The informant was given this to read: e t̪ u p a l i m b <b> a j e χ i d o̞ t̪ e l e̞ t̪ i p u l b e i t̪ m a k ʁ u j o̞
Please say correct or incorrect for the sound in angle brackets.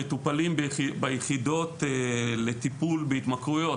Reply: correct